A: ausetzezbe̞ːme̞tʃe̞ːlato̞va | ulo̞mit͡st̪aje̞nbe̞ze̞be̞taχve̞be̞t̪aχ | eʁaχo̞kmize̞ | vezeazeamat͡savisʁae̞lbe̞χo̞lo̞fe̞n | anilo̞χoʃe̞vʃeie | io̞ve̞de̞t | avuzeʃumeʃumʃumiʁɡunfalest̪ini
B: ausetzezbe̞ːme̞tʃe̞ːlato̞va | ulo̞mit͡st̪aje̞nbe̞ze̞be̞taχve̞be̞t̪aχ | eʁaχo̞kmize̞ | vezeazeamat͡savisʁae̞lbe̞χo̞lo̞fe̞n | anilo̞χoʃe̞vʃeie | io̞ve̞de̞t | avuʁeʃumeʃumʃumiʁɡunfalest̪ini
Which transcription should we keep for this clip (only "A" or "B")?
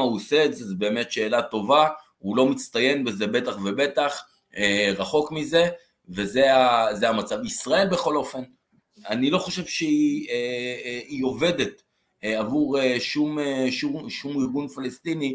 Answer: B